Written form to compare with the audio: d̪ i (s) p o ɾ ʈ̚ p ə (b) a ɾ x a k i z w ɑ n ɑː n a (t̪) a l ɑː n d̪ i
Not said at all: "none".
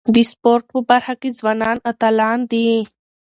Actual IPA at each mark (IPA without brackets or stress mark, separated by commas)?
s, b, t̪